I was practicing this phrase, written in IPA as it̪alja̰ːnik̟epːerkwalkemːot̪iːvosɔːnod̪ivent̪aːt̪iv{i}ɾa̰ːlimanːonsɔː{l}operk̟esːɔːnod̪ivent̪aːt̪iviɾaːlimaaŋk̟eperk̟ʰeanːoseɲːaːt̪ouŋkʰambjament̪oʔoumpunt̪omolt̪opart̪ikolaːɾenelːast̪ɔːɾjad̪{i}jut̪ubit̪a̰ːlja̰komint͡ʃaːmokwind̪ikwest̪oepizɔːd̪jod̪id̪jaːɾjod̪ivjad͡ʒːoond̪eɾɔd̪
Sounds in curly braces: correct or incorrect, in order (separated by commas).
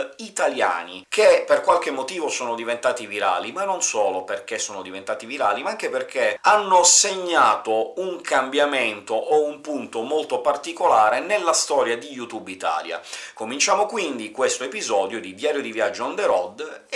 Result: correct, correct, correct